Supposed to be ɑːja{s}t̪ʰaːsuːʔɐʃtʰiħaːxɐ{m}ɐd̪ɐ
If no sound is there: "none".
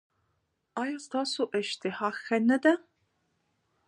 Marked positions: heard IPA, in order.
s, n

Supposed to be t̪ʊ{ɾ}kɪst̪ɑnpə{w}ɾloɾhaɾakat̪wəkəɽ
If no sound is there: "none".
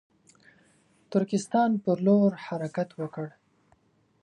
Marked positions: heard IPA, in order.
ɾ, none

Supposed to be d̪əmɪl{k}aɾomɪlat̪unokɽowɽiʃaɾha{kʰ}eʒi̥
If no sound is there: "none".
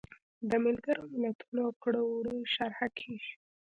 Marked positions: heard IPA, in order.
ɡ, kʰ

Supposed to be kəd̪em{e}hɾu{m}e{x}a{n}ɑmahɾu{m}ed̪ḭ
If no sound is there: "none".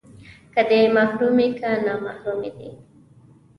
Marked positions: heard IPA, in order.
a, m, k, n, m

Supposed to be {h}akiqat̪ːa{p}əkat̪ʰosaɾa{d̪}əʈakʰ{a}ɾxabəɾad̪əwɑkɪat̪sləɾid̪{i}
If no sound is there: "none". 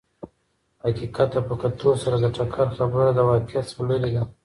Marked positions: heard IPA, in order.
h, p, d̪, a, a

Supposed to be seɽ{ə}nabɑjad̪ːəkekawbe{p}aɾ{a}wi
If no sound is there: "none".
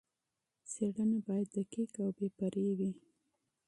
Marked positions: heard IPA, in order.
ə, p, e

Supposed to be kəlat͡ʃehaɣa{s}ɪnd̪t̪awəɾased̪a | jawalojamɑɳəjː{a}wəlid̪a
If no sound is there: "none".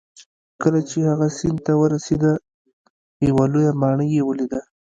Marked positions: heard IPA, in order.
s, e

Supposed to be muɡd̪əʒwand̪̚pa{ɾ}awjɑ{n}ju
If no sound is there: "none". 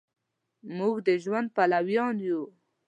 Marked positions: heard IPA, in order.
l, n

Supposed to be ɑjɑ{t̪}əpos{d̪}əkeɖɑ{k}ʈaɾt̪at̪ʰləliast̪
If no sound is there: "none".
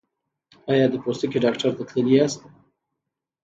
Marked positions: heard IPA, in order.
d̪, t̪, k

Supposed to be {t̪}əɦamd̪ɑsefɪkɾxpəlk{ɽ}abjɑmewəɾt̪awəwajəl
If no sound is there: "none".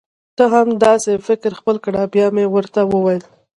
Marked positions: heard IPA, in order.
t̪, ɽ

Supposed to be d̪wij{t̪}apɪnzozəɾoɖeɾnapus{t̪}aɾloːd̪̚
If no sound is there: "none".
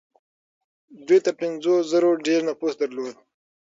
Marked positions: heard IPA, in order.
t̪, d̪

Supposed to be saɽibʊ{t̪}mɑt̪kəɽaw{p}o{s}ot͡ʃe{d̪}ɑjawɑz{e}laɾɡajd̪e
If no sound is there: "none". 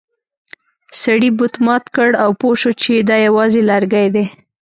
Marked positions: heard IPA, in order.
t̪, p, ʃ, d̪, e

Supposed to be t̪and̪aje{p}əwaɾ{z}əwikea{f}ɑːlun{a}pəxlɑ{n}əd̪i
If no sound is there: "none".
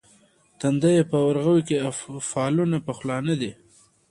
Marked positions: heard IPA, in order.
p, ɣ, f, a, n

